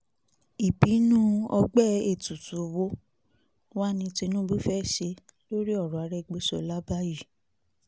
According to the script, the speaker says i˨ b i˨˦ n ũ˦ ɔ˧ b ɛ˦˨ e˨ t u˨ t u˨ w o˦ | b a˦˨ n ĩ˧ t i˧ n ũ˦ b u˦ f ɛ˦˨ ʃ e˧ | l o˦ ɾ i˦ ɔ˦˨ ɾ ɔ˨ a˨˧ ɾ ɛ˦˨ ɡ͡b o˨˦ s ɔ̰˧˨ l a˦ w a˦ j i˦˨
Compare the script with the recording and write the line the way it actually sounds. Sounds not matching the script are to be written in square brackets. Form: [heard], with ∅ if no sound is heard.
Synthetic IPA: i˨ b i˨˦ n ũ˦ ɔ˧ [ɡ͡b] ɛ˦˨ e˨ t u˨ t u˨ w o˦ | [w] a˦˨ n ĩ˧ t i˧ n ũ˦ b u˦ f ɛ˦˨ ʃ e˧ | l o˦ ɾ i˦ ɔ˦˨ ɾ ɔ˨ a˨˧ ɾ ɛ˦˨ ɡ͡b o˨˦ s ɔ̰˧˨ l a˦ [b] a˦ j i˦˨

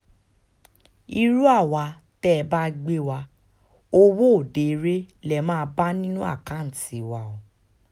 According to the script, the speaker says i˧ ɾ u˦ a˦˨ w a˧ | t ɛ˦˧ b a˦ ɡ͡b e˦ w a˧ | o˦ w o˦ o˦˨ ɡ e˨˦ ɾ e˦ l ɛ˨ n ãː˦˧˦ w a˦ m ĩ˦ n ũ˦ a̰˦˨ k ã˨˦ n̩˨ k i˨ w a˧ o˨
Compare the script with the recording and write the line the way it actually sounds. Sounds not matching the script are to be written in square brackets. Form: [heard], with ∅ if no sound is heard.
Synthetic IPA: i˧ ɾ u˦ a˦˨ w a˧ | t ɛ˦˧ b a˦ ɡ͡b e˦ w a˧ | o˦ w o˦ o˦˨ [d] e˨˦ ɾ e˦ l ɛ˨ [m] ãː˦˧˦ [b] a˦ [n] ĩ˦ n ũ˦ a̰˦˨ k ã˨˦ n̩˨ [t] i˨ w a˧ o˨

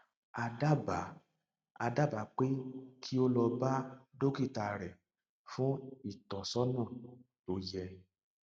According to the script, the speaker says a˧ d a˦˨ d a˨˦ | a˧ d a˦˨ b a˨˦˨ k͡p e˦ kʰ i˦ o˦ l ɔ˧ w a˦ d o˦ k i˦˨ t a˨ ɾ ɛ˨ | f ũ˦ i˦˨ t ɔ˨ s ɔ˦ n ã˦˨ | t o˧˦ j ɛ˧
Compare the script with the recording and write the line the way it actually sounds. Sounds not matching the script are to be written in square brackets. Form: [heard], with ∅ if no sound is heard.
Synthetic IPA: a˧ d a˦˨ [b] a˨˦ | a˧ d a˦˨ b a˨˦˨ k͡p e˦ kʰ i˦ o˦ l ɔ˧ [b] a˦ d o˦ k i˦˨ t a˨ ɾ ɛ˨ | f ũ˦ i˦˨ t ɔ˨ s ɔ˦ n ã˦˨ | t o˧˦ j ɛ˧

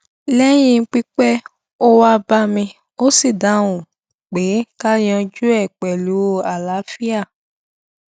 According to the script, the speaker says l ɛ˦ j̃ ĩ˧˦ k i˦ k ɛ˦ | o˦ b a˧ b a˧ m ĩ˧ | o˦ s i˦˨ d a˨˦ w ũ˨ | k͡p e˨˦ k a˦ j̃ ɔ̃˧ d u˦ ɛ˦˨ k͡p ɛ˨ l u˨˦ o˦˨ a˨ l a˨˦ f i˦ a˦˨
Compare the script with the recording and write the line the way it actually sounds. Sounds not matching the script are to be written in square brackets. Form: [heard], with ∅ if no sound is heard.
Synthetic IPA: l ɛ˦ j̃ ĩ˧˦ [k͡p] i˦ [k͡p] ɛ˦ | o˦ [w] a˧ b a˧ m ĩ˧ | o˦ s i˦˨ d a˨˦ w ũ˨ | k͡p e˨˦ k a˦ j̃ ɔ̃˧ [d͡ʒ] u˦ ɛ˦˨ k͡p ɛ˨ l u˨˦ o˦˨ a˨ l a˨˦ f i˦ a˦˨

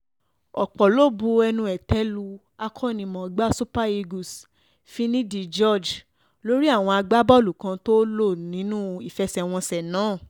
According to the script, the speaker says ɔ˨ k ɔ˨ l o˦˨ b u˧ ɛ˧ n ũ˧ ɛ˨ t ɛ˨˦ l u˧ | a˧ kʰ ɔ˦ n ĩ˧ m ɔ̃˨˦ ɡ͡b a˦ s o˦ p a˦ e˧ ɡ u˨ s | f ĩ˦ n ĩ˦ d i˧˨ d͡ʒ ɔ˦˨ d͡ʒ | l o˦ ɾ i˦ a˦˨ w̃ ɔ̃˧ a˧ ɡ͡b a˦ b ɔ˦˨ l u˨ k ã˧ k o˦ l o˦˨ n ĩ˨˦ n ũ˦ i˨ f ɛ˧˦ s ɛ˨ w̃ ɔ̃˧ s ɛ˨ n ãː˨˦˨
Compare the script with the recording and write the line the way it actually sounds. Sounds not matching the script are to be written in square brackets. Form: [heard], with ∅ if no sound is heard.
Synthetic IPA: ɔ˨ [k͡p] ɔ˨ l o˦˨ b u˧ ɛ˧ n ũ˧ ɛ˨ t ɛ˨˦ l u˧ | a˧ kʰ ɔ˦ n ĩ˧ m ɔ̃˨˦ ɡ͡b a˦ s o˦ p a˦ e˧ ɡ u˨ s | f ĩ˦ n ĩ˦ d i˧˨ d͡ʒ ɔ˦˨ d͡ʒ | l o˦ ɾ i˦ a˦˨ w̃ ɔ̃˧ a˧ ɡ͡b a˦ b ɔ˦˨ l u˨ k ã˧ [t] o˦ l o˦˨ n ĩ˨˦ n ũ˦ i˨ f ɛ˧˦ s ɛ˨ w̃ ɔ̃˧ s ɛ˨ n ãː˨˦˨

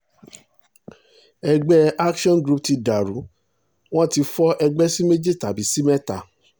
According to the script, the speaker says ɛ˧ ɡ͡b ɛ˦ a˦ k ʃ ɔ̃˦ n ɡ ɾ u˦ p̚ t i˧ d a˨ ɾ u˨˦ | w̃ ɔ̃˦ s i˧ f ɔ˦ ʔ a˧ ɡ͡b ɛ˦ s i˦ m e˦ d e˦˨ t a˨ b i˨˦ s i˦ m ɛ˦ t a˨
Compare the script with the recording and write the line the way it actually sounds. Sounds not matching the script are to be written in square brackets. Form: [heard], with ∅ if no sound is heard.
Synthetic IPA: ɛ˧ ɡ͡b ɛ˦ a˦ k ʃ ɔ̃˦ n ɡ ɾ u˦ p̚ t i˧ d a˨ ɾ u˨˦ | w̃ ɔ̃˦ [t] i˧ f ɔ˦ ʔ [ɛ˧] ɡ͡b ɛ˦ s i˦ m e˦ [d͡ʒ] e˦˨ t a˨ b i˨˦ s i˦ m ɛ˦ t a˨

